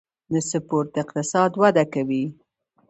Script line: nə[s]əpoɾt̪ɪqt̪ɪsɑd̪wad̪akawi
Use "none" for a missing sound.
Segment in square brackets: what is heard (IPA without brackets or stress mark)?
s